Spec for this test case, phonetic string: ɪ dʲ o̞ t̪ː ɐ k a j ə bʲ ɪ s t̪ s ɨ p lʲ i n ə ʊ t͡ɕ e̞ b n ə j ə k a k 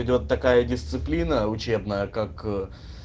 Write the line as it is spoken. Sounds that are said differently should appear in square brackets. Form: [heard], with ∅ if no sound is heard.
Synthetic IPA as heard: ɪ dʲ o̞ t̪ː ɐ k a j ə [dʲ] ɪ s t̪ s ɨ p lʲ i n ə ʊ t͡ɕ e̞ b n ə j ə k a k